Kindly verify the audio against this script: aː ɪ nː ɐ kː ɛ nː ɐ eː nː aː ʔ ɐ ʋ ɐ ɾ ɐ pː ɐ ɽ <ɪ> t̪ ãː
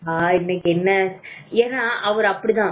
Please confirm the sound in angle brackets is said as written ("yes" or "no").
no